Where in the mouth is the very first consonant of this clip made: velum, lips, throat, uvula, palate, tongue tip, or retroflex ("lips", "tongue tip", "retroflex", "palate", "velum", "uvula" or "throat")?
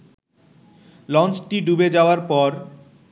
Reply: tongue tip